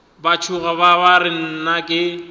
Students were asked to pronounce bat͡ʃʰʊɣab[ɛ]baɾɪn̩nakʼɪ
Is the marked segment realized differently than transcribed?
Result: yes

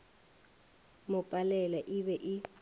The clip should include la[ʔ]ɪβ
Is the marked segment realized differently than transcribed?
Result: no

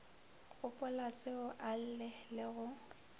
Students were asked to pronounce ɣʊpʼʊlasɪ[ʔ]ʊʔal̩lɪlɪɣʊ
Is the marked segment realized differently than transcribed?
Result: yes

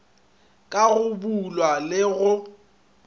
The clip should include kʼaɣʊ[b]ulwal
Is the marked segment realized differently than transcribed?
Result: no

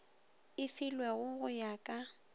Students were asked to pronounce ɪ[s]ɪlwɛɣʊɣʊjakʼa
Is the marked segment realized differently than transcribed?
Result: yes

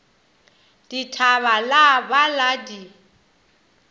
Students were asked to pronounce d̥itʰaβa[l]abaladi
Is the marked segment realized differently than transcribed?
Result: no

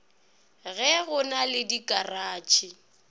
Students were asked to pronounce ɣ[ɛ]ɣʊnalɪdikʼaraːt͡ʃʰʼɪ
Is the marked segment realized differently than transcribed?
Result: no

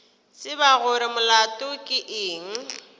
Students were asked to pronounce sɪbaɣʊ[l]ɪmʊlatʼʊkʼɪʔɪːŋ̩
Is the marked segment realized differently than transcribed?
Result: yes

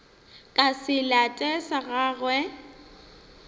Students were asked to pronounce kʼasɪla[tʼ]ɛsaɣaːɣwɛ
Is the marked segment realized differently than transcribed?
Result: no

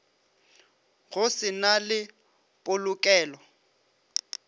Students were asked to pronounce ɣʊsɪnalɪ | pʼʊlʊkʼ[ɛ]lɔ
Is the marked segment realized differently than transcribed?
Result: yes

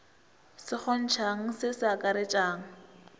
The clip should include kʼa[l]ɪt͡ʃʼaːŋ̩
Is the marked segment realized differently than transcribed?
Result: yes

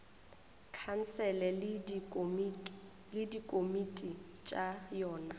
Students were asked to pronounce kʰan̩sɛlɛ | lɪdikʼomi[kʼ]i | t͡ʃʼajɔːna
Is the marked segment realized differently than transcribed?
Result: yes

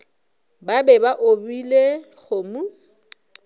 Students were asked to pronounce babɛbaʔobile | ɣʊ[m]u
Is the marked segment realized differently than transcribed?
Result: no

